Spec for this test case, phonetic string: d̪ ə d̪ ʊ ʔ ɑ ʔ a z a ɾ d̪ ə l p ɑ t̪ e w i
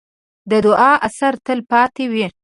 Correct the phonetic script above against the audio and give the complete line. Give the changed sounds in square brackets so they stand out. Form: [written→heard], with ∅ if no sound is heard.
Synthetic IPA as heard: d̪ ə d̪ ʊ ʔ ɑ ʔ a [z→s] a ɾ [d̪→t̪] ə l p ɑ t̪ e w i